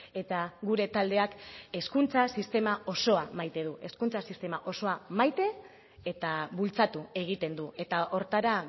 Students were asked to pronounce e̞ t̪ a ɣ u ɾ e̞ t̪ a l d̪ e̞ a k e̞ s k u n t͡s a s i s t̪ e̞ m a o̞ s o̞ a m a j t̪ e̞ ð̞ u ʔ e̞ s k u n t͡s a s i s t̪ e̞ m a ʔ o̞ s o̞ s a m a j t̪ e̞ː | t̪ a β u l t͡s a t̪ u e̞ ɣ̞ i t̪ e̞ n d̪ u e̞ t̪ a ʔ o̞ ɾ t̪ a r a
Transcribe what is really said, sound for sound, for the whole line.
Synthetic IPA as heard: e̞ t̪ a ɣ u ɾ e̞ t̪ a l d̪ e̞ a k e̞ s k u n t͡s a s i s t̪ e̞ m a o̞ s o̞ a m a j t̪ e̞ ð̞ u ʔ e̞ s k u n t͡s a s i s t̪ e̞ m a ʔ o̞ s o̞ a m a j t̪ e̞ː | t̪ a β u l t͡s a t̪ u e̞ ɣ̞ i t̪ e̞ n d̪ u e̞ t̪ a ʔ o̞ ɾ t̪ a ɾ a